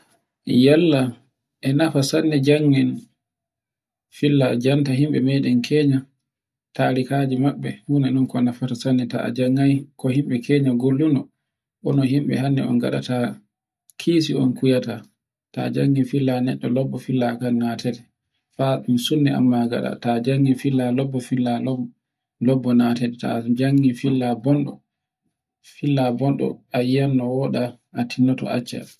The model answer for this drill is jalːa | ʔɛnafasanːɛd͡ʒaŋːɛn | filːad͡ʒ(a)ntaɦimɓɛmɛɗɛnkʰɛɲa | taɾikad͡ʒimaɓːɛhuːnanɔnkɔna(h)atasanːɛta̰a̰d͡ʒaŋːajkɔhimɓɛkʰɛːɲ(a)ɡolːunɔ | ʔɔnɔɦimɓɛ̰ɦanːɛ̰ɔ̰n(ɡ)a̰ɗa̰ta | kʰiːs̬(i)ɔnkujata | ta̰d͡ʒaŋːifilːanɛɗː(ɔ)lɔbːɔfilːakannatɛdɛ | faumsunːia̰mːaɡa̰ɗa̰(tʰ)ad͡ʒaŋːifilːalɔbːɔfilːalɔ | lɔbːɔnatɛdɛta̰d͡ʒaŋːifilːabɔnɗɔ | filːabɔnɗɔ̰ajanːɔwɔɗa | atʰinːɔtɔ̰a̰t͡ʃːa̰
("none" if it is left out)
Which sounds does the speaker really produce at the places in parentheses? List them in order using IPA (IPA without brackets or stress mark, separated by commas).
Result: a, f, a, ɡ, i, ɔ, t